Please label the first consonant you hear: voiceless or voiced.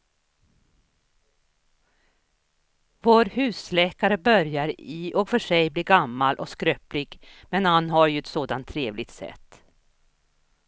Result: voiced